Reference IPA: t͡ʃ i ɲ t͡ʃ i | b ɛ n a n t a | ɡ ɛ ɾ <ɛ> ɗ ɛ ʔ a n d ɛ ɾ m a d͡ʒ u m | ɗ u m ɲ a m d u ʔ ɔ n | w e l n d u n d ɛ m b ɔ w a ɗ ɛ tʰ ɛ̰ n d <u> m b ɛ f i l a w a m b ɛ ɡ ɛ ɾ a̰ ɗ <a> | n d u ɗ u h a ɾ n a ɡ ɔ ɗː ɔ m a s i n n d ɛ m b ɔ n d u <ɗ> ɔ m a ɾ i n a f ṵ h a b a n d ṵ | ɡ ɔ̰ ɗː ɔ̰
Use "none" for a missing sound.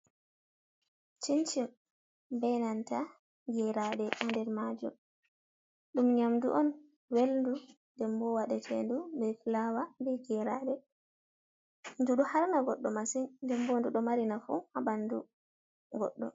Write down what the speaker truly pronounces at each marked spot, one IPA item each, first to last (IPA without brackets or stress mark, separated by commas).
a, u, ɛ, ɗ